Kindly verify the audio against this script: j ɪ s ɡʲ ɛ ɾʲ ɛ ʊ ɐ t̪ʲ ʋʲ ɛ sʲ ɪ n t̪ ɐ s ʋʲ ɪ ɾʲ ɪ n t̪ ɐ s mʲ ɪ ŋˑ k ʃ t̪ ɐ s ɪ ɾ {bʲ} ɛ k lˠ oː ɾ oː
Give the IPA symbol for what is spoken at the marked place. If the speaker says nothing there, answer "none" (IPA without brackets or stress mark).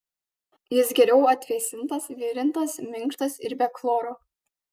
bʲ